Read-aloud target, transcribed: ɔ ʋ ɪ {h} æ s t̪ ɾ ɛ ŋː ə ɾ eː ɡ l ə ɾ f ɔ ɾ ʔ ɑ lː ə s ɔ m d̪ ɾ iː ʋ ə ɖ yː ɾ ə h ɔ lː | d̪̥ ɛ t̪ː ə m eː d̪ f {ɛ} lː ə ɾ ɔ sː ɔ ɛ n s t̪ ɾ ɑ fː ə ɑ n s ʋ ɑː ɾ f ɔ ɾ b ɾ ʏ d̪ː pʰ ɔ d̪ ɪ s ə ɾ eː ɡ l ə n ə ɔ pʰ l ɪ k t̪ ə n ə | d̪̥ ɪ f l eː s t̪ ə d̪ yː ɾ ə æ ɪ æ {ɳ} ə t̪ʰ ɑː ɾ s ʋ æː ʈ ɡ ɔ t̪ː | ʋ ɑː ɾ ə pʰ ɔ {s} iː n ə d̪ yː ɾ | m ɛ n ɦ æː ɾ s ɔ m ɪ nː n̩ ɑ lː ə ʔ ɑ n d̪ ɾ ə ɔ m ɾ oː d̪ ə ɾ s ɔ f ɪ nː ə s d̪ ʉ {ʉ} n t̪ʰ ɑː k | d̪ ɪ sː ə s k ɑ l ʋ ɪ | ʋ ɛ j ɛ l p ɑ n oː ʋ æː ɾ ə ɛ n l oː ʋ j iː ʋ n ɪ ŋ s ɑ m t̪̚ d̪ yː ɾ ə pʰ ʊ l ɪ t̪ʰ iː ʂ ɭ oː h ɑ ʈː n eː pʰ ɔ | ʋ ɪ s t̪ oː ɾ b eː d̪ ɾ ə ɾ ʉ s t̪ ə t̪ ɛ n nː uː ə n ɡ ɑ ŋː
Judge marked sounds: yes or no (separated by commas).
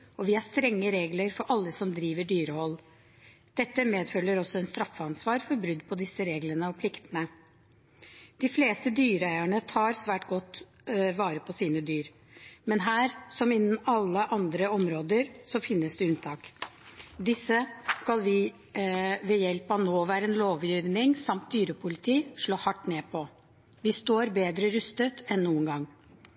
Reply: yes, no, yes, yes, yes